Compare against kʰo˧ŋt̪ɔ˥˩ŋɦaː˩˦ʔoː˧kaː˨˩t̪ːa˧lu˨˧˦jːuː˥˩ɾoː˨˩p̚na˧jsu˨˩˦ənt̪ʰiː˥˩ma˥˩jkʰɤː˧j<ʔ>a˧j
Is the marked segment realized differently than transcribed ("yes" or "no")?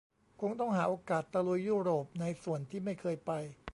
yes